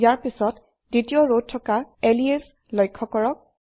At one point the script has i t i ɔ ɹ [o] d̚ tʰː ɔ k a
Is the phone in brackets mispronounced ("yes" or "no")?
no